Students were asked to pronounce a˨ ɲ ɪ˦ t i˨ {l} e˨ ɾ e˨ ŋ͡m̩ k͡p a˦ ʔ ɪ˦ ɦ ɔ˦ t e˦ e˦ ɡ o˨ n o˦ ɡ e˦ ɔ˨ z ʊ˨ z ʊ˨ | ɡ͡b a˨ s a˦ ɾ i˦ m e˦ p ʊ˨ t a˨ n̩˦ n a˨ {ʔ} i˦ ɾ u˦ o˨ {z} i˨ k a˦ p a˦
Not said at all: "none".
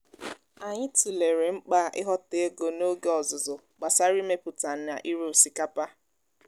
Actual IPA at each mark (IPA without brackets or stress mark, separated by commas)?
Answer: l, ʔ, s